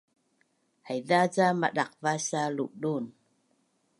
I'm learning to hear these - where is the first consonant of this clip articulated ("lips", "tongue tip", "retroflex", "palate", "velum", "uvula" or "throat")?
throat